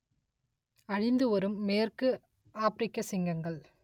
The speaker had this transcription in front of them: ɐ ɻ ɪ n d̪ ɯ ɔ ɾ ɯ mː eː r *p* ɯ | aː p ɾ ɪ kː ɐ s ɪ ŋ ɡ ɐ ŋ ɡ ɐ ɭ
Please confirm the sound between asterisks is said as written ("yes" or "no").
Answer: no